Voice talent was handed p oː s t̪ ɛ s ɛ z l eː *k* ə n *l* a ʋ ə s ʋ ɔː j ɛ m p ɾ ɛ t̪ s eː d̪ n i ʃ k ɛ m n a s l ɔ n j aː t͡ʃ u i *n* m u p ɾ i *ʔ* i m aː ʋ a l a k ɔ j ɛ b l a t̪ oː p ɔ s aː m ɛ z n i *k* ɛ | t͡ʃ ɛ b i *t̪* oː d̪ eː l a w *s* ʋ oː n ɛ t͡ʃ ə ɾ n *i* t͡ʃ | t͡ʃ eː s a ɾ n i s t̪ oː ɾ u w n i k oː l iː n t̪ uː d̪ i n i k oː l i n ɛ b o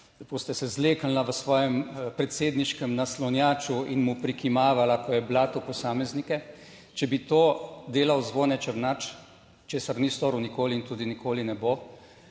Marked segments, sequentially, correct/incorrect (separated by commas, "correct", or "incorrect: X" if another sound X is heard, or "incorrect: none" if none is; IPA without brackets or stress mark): correct, correct, correct, incorrect: k, correct, correct, incorrect: z, incorrect: a